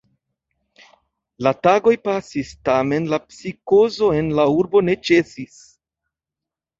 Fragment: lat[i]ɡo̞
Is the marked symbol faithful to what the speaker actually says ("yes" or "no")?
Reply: no